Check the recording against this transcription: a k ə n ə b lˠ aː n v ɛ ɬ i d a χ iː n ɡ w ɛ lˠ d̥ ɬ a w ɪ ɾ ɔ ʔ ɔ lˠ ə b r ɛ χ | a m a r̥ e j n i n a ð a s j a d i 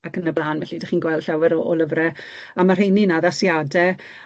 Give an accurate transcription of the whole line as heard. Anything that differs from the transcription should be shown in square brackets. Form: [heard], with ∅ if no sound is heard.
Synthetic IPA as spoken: a k ə n ə b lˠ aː n v ɛ ɬ i d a χ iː n ɡ w ɛ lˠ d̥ ɬ a w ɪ ɾ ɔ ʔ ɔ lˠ ə [v] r ɛ [∅] | a m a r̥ e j n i n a ð a s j a d [ɛ]